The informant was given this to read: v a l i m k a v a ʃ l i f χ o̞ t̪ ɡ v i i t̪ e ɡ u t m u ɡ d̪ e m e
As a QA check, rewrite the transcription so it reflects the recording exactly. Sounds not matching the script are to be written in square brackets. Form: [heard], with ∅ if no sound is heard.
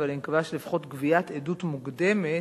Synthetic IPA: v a l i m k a v a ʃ l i f χ o̞ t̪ ɡ v i [a] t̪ e [d] u t m u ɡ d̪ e m e